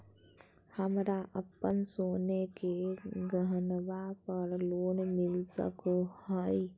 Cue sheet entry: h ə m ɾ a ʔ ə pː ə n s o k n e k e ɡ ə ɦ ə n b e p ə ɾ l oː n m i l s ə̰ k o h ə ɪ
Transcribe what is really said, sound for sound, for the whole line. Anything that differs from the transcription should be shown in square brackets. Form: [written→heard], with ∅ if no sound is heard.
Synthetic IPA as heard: h ə m ɾ a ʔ ə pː ə n s o [k→∅] n e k e ɡ ə ɦ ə n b [e→a] p ə ɾ l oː n m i l s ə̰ k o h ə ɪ